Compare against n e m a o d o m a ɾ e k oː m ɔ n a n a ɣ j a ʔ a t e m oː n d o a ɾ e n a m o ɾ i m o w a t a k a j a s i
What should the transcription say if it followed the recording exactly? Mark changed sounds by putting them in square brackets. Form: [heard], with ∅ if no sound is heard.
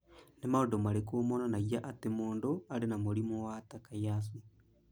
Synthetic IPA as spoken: n e m a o d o m a ɾ e k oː m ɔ n a n a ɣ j a ʔ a t e m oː n d o a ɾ e n a m o ɾ i m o w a t a k a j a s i